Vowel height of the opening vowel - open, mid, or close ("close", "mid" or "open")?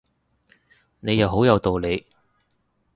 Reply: mid